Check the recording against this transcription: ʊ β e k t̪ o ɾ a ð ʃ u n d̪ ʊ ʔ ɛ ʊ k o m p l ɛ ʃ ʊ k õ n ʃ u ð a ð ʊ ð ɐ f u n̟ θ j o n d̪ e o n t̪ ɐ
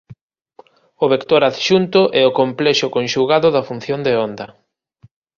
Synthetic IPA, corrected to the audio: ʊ β e k t̪ o ɾ a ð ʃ u n t̪ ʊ ʔ ɛ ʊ k o m p l ɛ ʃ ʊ k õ n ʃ u ɣ a ð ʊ ð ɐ f u n̟ θ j o n d̪ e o n d̪ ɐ

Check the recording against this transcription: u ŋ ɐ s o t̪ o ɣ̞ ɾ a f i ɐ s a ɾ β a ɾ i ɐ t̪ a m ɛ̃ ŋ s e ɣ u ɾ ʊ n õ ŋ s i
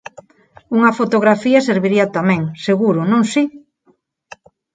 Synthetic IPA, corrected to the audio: u ŋ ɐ f o t̪ o ɣ̞ ɾ a f i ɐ s e ɾ β i ɾ i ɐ t̪ a m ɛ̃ ŋ s e ɣ u ɾ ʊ n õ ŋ s i

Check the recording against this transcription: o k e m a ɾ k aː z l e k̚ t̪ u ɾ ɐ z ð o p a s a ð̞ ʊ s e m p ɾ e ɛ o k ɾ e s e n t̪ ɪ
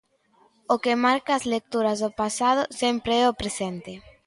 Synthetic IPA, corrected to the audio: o k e m a ɾ k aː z l e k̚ t̪ u ɾ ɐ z ð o p a s a ð̞ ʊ s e m p ɾ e ɛ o p ɾ e s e n t̪ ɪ

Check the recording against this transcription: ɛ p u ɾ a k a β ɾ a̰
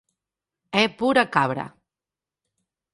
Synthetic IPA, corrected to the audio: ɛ p u ɾ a k a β ɾ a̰

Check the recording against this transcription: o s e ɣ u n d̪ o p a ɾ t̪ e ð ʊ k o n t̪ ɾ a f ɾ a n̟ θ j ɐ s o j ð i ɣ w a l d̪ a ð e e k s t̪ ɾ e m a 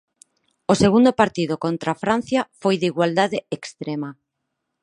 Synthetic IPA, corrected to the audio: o s e ɣ u n d̪ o p a ɾ t̪ i ð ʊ k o n t̪ ɾ a f ɾ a n̟ θ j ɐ f o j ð i ɣ w a l d̪ a ð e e k s t̪ ɾ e m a

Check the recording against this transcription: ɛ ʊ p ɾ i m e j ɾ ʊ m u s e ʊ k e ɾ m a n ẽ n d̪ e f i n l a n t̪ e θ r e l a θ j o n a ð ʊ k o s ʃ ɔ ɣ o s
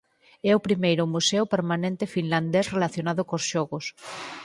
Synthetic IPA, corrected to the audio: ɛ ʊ p ɾ i m e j ɾ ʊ m u s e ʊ p e ɾ m a n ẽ n t̪ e f i n l a n d̪ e s r e l a θ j o n a ð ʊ k o s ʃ ɔ ɣ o s

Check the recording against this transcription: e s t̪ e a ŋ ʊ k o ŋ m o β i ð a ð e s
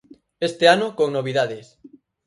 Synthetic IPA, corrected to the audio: e s t̪ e a n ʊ k o ŋ n o β i ð a ð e s

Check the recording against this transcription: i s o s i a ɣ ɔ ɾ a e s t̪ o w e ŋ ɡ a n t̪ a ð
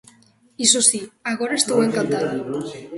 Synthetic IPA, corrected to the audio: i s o s i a ɣ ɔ ɾ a e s t̪ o w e ŋ k a n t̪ a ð

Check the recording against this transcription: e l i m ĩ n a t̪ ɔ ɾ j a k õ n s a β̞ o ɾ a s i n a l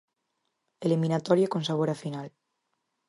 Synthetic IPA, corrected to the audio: e l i m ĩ n a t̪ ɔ ɾ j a k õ n s a β̞ o ɾ a f i n a l

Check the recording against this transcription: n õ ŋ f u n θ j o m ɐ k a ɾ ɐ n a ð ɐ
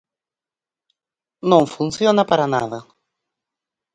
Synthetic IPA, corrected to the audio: n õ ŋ f u n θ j o n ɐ p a ɾ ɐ n a ð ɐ

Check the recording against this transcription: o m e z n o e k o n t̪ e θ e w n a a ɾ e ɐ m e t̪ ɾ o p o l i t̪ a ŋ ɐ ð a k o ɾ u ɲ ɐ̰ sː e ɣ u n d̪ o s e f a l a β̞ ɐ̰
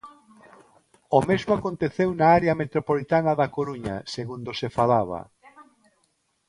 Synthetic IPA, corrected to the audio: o m e z m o a k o n t̪ e θ e w n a a ɾ e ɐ m e t̪ ɾ o p o l i t̪ a n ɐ ð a k o ɾ u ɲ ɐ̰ s e ɣ u n d̪ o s e f a l a β̞ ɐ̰

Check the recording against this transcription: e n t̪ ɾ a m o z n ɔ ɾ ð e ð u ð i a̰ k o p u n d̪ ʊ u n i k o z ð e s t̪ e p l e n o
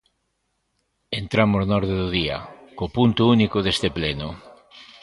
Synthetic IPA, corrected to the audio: e n t̪ ɾ a m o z n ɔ ɾ ð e ð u ð i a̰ k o p u n t̪ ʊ u n i k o ð e s t̪ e p l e n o

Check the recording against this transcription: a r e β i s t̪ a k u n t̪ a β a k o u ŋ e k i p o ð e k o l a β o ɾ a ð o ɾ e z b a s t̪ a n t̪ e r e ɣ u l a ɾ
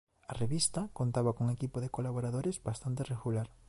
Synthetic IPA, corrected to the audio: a r e β i s t̪ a k o n t̪ a β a k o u ŋ e k i p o ð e k o l a β o ɾ a ð o ɾ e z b a s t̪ a n t̪ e r e ɣ u l a ɾ

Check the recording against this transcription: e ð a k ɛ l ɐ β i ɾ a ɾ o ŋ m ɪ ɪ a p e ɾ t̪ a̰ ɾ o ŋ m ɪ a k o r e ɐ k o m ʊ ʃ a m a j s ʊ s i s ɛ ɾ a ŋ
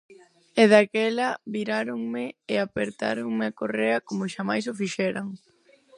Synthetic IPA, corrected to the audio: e ð a k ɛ l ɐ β i ɾ a ɾ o ŋ m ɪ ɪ a p e ɾ t̪ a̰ ɾ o ŋ m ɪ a k o r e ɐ k o m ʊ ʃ a m a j s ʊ f i ʃ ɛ ɾ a ŋ

